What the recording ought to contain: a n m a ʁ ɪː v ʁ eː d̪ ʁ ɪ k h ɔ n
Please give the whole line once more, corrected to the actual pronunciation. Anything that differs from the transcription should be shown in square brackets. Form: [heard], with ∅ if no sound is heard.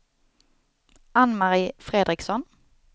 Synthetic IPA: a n m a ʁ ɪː [f] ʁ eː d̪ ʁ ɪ k [s] ɔ n

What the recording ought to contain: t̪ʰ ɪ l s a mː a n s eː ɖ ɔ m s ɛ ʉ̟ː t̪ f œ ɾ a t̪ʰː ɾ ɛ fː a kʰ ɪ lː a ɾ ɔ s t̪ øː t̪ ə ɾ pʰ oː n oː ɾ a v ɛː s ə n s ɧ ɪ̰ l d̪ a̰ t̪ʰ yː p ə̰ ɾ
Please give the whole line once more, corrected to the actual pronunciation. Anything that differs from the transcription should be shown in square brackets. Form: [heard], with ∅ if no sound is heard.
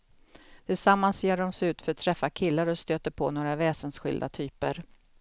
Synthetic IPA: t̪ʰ ɪ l s a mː a n s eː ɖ ɔ m s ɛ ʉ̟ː t̪ f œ ɾ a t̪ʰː ɾ ɛ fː a kʰ ɪ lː a ɾ ɔ s t̪ øː t̪ ə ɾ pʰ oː n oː ɾ a v ɛː s ə n s ɧ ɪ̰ l d̪ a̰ t̪ʰ yː p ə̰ ɾ

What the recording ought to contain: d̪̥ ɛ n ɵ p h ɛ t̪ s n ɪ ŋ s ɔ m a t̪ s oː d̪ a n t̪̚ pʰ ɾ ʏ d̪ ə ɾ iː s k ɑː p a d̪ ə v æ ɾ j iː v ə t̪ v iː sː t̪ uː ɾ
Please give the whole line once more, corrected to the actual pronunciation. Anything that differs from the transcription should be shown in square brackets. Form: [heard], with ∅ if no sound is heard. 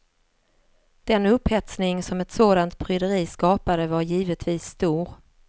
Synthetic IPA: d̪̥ ɛ n ɵ p h ɛ t̪ s n ɪ ŋ s ɔ m [ɛ] t̪ s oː d̪ a n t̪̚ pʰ ɾ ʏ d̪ ə ɾ iː s k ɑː p a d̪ ə v [a] ɾ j iː v ə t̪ v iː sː t̪ uː ɾ

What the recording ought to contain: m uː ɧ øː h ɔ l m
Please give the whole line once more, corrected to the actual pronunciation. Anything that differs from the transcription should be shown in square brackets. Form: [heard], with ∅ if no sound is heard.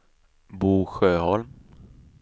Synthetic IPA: [b] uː ɧ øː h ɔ l m

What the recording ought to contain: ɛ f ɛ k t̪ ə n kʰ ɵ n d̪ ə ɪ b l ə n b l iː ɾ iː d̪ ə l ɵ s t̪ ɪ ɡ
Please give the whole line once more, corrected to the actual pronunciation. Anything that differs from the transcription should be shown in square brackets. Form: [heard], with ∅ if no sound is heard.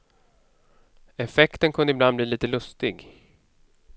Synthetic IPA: ɛ f ɛ k t̪ ə n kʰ ɵ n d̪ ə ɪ b l [a] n b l iː [l] iː [t̪] ə l ɵ s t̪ ɪ ɡ

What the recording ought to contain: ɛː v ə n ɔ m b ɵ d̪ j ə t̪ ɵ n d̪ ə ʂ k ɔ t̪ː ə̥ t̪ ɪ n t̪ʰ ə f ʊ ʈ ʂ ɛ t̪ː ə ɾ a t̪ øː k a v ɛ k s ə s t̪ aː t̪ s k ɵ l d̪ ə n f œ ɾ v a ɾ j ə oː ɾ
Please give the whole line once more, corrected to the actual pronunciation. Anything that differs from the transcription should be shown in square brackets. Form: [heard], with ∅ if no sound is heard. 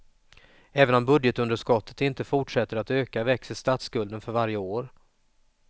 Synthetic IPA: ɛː v ə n ɔ m b ɵ d̪ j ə t̪ ɵ n d̪ ə ʂ k ɔ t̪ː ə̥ t̪ ɪ n [t̪] ə f ʊ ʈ ʂ ɛ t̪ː ə ɾ a t̪ øː k a v ɛ k s ə s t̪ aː t̪ s k ɵ l d̪ ə n f œ ɾ v a ɾ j ə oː ɾ

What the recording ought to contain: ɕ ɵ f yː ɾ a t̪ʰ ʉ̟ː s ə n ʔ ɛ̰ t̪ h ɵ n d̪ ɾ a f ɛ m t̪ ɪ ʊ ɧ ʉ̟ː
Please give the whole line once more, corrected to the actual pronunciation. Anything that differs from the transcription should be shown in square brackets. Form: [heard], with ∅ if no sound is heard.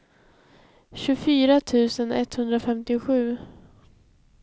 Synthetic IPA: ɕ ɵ f yː ɾ a t̪ʰ ʉ̟ː s ə n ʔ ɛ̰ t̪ h ɵ n d̪ ɾ a f ɛ m t̪ ɪ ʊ ɧ ʉ̟ː

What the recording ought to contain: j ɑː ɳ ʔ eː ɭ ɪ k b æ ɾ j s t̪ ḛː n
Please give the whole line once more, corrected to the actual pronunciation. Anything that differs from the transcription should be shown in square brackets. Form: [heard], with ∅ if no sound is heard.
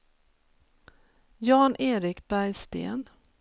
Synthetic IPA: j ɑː [n] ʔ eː [ɾ] ɪ k b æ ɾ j s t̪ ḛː n

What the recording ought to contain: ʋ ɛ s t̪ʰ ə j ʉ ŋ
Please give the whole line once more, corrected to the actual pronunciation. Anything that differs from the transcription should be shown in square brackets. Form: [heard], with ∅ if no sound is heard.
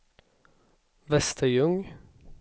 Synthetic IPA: ʋ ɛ s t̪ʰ ə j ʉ ŋ

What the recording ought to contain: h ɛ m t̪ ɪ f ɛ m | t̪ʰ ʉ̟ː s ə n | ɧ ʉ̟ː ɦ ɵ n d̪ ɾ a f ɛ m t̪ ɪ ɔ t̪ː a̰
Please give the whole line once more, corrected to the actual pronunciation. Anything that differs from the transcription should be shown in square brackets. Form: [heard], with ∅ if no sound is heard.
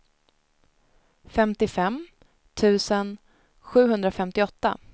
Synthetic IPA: [f] ɛ m t̪ ɪ f ɛ m | t̪ʰ ʉ̟ː s ə n | ɧ ʉ̟ː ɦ ɵ n d̪ ɾ a f ɛ m t̪ ɪ ɔ t̪ː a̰

